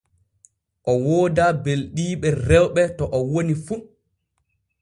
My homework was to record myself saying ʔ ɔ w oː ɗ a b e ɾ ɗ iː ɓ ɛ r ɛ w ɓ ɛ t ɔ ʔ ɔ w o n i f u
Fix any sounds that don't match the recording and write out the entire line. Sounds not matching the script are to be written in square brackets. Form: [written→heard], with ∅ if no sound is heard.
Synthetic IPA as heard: ʔ ɔ w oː [ɗ→d] a b e [ɾ→l] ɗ iː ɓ ɛ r ɛ w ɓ ɛ t ɔ ʔ ɔ w o n i f u